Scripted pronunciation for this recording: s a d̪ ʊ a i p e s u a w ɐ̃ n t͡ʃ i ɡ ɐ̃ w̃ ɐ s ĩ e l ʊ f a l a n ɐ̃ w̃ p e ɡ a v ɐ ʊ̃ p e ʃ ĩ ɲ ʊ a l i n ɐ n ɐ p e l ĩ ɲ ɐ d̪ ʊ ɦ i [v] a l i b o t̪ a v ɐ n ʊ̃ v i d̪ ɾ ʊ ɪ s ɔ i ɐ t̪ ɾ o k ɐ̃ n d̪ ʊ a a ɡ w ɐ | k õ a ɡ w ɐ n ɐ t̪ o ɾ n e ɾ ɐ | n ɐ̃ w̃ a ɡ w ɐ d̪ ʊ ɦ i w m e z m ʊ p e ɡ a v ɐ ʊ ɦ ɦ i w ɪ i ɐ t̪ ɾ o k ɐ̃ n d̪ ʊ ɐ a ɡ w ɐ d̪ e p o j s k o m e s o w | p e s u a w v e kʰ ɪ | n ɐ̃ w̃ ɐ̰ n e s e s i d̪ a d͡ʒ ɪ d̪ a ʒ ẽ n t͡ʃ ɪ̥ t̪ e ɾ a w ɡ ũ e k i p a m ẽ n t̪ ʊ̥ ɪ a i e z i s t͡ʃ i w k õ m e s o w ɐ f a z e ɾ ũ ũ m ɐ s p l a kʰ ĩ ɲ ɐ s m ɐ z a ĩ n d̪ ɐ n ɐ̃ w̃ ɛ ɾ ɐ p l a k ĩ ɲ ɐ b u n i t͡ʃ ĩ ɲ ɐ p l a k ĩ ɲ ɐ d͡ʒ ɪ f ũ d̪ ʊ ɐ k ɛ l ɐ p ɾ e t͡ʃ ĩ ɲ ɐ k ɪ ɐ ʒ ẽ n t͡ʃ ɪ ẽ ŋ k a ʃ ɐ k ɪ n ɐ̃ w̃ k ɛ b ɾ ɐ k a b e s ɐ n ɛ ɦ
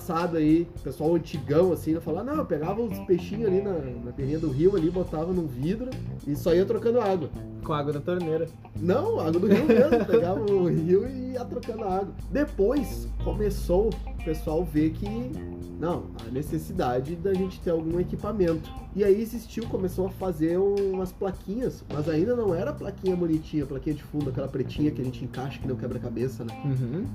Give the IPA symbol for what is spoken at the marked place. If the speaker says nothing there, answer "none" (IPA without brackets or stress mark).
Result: w